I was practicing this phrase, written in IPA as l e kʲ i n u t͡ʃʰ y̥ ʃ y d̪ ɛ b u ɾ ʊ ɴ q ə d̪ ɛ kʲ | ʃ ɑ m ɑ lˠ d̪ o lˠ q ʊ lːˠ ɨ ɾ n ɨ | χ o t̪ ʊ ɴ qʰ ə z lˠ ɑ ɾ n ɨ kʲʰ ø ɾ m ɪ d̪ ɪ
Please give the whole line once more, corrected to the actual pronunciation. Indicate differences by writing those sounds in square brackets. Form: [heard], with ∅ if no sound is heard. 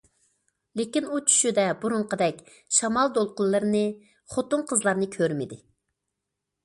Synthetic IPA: l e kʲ i n u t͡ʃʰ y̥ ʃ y d̪ ɛ b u ɾ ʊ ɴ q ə d̪ ɛ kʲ | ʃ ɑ m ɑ lˠ d̪ o lˠ q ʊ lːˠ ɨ ɾ n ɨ | χ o t̪ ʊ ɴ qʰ ə z lˠ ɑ ɾ n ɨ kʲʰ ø ɾ m ɪ d̪ ɪ